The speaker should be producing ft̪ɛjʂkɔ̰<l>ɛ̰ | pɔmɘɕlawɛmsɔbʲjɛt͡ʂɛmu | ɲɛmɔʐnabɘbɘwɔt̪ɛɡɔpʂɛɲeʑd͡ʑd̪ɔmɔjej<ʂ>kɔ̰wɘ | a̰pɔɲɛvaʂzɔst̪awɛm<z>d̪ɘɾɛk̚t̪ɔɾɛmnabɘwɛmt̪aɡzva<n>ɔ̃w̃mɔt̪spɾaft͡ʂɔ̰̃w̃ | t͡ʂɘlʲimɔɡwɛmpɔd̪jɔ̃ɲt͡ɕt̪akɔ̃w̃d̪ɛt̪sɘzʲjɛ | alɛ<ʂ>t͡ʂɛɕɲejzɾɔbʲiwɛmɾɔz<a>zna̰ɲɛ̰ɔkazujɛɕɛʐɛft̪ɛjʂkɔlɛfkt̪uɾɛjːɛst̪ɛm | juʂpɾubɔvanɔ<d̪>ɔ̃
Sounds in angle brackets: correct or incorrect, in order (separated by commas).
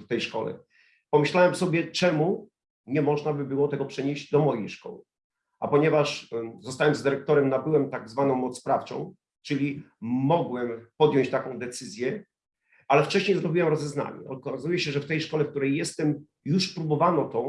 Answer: correct, correct, correct, correct, incorrect, incorrect, incorrect